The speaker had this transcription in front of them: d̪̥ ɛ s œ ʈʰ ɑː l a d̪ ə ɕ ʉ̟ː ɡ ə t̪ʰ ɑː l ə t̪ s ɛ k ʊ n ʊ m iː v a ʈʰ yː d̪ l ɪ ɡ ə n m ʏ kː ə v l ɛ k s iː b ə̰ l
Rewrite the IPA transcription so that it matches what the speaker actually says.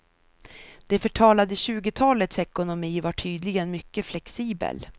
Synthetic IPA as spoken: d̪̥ ɛ f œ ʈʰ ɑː l a d̪ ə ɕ ʉ̟ː ɡ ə t̪ʰ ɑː l ə t̪ s ɛ k ʊ n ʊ m iː v a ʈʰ yː d̪ l ɪ ɡ ə n m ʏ kː ə f l ɛ k s iː b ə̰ l